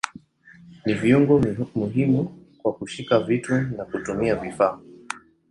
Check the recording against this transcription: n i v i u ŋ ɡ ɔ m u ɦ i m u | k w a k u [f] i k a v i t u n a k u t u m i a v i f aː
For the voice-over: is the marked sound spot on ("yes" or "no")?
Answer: no